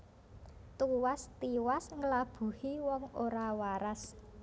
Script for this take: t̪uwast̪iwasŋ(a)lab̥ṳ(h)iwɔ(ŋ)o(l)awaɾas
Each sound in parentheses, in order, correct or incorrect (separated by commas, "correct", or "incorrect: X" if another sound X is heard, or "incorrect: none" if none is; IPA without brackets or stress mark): incorrect: ə, correct, correct, incorrect: ɾ